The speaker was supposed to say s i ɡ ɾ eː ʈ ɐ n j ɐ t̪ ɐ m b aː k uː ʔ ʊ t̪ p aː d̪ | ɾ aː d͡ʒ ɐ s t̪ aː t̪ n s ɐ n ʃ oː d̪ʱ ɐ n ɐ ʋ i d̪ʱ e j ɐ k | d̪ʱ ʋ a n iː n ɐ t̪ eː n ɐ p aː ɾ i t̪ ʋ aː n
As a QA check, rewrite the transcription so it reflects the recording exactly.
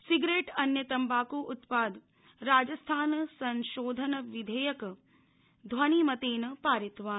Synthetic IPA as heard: s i ɡ ɾ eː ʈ ɐ n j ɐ t̪ ɐ m b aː k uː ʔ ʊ t̪ p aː d̪ | ɾ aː d͡ʒ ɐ s t̪ʰ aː n s ɐ n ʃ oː d̪ʱ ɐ n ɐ ʋ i d̪ʱ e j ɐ k | d̪ʱ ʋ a n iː m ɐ t̪ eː n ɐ p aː ɾ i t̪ ʋ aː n